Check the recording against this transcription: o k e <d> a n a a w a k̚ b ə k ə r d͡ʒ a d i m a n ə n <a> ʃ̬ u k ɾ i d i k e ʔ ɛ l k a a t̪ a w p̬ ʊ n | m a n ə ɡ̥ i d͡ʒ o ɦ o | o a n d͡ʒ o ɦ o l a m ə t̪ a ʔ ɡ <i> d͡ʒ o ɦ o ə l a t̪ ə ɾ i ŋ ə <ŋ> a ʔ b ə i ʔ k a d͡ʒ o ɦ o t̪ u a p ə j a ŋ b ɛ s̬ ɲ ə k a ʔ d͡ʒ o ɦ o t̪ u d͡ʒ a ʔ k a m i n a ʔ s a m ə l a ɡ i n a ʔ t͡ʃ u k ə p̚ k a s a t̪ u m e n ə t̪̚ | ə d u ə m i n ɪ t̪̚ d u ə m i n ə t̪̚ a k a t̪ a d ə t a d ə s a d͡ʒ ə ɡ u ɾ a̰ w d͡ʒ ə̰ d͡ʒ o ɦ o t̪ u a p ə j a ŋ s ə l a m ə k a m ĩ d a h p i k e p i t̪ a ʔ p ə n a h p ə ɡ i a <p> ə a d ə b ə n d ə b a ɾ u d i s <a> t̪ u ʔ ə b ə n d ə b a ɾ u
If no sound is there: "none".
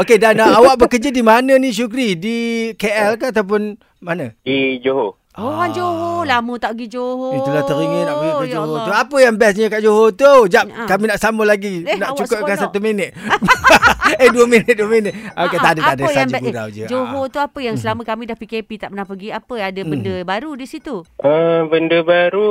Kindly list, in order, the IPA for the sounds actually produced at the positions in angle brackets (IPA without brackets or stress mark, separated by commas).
d, i, i, n, p, i